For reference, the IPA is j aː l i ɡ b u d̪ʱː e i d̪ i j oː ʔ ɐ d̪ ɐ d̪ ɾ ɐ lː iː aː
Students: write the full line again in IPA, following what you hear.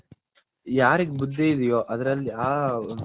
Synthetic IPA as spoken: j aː ɾ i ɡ b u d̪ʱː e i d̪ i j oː ʔ ɐ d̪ ɐ ɾ ɐ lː i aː